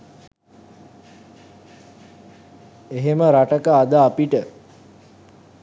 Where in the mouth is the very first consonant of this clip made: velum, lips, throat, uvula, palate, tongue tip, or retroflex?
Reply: throat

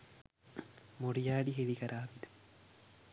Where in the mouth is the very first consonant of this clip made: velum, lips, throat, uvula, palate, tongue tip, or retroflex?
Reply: lips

